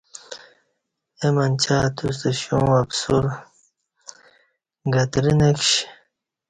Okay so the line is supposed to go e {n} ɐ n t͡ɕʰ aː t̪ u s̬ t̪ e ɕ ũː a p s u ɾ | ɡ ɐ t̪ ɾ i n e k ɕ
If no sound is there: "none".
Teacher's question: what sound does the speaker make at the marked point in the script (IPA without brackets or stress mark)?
m